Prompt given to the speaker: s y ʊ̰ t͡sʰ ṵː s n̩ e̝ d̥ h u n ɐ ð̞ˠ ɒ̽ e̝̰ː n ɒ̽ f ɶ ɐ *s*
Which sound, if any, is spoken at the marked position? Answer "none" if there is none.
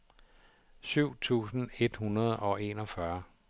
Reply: none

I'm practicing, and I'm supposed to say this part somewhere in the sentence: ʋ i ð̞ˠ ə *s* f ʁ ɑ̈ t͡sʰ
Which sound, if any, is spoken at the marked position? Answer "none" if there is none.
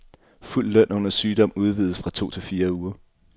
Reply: s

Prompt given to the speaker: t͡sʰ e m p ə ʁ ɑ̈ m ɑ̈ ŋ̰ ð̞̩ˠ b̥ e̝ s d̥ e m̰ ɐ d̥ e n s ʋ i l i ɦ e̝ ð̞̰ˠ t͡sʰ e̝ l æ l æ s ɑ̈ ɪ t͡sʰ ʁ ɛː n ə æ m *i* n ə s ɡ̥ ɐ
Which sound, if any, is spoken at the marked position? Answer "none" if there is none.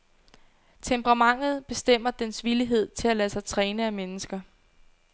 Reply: e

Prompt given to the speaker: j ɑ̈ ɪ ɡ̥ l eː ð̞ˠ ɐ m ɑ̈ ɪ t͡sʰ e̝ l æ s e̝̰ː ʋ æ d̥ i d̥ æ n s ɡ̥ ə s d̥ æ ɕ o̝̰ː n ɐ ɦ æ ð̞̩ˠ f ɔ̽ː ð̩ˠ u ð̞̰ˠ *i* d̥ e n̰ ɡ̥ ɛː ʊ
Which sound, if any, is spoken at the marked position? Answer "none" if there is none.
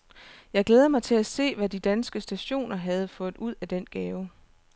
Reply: æ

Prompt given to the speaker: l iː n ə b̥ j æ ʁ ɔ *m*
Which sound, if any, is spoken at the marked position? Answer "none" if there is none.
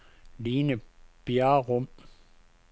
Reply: m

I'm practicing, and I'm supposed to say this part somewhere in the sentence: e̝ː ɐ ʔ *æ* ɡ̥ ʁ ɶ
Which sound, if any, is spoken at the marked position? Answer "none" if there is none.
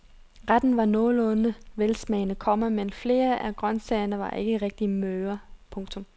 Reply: æ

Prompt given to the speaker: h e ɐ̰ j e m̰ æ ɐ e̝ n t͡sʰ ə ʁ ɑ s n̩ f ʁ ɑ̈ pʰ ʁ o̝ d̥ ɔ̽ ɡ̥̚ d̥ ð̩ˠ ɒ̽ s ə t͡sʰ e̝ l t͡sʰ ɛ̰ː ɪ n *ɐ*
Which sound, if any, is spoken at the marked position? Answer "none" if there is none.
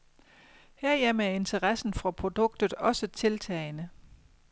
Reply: ə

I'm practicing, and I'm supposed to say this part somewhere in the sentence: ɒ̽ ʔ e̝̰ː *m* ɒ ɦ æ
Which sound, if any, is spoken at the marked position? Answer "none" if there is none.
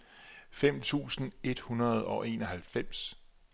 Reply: n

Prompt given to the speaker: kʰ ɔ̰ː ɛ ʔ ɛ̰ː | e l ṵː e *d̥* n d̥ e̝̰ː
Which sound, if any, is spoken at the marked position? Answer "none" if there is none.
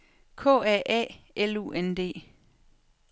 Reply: none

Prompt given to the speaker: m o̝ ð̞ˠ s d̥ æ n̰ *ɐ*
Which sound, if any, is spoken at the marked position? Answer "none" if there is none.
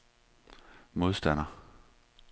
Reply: ɐ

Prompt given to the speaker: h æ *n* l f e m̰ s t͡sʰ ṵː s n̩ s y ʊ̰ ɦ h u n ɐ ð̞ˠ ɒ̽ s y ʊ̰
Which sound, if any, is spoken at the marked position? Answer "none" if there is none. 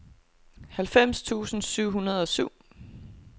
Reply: none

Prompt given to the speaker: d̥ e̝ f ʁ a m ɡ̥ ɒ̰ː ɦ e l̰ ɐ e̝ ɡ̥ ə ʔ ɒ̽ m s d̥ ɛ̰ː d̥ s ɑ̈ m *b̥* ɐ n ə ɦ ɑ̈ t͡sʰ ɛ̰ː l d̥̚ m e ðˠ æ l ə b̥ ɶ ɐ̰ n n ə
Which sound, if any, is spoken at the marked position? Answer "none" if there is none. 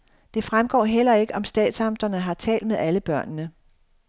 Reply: d̥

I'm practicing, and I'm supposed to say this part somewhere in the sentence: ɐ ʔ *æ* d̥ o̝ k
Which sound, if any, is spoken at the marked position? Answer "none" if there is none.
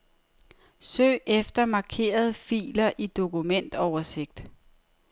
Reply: i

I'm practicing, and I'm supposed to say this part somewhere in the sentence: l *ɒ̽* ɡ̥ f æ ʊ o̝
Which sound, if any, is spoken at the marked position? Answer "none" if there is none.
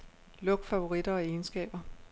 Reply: ɔ̽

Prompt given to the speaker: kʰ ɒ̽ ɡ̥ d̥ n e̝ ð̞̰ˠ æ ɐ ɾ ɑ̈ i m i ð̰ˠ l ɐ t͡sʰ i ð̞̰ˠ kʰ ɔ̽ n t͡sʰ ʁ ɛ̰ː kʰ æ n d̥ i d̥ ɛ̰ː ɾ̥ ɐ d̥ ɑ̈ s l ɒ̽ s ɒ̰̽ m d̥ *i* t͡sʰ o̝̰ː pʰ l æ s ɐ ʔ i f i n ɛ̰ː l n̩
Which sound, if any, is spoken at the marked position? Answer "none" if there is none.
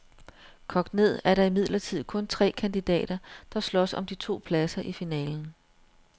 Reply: i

